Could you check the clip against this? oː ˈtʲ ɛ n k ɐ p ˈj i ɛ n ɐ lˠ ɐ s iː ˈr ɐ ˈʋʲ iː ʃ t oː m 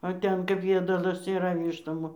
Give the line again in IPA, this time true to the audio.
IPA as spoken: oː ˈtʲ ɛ n k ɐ p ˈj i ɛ d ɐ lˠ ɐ s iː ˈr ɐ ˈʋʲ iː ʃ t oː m

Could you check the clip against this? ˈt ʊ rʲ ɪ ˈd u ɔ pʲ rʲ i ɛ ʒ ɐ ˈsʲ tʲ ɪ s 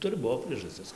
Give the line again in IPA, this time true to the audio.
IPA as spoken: ˈt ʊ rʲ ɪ ˈb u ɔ pʲ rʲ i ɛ ʒ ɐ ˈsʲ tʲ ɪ s

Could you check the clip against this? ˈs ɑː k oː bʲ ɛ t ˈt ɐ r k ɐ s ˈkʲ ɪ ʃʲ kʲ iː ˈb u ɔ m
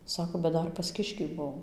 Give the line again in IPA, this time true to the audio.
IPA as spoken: ˈs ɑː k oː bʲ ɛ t ˈd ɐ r p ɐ s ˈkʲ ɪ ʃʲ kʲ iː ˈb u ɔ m

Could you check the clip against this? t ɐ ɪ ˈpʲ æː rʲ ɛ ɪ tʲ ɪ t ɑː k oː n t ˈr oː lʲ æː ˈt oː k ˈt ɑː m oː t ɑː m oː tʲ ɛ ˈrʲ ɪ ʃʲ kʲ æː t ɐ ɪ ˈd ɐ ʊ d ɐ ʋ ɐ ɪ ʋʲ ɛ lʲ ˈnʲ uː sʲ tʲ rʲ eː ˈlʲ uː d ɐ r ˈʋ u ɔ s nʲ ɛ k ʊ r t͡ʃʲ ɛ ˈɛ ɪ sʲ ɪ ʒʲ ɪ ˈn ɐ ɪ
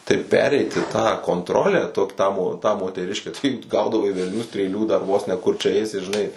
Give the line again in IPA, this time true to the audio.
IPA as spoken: t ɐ ɪ ˈpʲ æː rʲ ɛ ɪ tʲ ɪ t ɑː k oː n t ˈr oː lʲ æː ˈt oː k ˈt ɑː m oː t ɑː m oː tʲ ɛ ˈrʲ ɪ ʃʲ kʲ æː t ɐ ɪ ˈɡ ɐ ʊ d ɐ ʋ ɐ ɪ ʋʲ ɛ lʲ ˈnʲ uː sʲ tʲ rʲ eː ˈlʲ uː d ɐ r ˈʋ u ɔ s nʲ ɛ k ʊ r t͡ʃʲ ɛ ˈɛ ɪ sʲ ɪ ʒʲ ɪ ˈn ɐ ɪ

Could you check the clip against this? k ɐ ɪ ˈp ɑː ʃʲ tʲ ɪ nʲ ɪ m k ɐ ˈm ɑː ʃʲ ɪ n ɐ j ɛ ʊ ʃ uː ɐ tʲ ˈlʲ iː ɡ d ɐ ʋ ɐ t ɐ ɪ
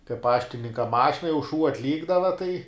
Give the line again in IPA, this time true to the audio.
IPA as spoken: k ɐ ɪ ˈp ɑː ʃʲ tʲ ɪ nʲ ɪ ŋ k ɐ ˈm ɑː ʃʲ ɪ n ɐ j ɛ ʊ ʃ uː ɐ tʲ ˈlʲ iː ɡ d ɐ ʋ ɐ t ɐ ɪ

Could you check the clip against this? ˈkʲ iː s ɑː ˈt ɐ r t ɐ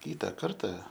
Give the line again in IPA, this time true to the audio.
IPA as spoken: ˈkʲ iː t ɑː ˈk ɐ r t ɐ

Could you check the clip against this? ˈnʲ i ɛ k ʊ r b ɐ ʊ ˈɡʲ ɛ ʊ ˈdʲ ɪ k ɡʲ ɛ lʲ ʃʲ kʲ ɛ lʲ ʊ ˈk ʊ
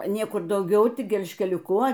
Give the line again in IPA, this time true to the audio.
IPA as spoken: ˈnʲ i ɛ k ʊ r d ɐ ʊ ˈɡʲ ɛ ʊ ˈtʲ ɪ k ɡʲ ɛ lʲ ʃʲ kʲ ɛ lʲ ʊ ˈk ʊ

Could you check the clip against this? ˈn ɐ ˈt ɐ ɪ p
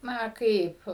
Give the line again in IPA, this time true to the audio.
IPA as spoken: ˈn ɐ ˈk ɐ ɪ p

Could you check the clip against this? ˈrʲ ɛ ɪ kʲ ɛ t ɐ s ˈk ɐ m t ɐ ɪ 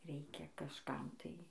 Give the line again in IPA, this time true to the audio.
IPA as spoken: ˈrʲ ɛ ɪ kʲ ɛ k ɐ ʃ ˈk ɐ m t ɐ ɪ

